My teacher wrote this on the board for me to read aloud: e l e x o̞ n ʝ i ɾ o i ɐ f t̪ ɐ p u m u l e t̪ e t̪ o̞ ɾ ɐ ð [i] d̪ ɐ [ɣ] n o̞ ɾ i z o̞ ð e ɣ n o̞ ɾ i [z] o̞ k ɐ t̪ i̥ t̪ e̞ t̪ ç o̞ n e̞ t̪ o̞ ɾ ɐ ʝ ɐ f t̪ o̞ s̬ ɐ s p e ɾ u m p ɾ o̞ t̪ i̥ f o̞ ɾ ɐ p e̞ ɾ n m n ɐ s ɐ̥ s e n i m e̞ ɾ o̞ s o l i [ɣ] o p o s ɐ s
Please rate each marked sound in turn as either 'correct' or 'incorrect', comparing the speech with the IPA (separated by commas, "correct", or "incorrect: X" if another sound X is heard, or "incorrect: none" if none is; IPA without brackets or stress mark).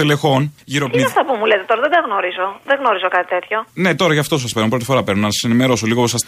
incorrect: e, correct, correct, correct